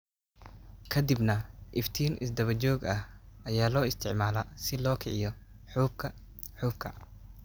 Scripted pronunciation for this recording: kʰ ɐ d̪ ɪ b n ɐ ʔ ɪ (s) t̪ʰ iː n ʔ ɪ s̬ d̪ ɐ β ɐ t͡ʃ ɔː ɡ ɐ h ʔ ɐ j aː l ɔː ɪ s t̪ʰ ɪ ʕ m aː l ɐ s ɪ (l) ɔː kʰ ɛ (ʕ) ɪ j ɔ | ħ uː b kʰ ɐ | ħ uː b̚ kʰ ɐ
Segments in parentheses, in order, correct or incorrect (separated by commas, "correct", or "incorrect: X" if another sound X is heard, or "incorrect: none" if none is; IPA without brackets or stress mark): incorrect: f, correct, correct